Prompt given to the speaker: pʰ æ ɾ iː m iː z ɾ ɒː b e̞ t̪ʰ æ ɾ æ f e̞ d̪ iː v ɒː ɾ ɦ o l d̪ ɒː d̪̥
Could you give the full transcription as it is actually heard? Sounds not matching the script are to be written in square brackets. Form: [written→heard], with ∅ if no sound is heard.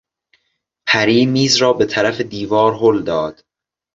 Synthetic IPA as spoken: pʰ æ ɾ iː m iː z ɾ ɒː b e̞ t̪ʰ æ ɾ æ f e̞ d̪ iː v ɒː ɾ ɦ o l d̪ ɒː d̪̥